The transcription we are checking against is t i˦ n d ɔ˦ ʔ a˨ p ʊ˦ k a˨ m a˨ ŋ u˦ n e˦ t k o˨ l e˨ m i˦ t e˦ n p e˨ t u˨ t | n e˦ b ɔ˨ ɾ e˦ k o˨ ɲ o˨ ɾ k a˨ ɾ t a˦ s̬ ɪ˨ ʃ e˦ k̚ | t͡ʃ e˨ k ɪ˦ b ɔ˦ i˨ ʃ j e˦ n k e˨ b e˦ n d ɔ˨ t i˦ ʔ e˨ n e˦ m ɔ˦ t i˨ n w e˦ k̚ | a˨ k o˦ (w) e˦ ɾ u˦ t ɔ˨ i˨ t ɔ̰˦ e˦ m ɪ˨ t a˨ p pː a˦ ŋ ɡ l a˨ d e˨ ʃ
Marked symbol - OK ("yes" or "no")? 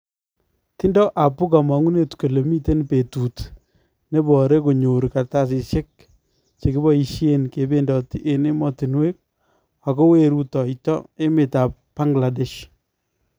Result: yes